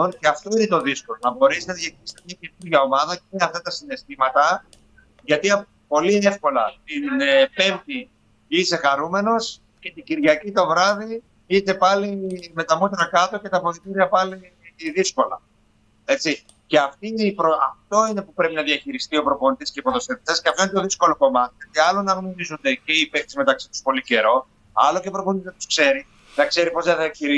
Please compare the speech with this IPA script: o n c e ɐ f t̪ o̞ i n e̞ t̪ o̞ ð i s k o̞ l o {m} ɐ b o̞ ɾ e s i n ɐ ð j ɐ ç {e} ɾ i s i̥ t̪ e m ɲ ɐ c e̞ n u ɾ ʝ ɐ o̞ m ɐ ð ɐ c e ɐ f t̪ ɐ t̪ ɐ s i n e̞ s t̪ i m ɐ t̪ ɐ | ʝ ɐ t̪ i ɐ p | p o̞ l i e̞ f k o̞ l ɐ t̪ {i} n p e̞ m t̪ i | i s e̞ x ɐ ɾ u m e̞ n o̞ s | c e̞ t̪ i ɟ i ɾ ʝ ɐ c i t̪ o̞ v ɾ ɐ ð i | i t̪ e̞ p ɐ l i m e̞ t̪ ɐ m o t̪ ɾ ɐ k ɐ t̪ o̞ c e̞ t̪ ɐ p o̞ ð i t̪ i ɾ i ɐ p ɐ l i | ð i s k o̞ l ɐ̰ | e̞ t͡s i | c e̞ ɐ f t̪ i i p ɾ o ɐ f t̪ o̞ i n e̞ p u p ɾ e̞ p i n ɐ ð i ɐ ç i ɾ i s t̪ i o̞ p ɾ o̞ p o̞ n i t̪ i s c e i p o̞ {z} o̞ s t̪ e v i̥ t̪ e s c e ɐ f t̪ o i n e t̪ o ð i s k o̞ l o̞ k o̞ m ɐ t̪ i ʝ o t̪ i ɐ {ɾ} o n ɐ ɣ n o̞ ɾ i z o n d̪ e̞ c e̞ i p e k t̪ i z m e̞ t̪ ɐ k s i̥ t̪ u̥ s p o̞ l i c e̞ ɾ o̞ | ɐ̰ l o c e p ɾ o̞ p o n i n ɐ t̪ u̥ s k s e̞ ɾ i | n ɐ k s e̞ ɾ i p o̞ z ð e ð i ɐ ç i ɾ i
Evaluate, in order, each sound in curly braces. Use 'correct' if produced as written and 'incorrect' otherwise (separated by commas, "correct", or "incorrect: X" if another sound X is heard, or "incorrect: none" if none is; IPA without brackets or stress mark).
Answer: incorrect: n, incorrect: i, correct, incorrect: ð, incorrect: l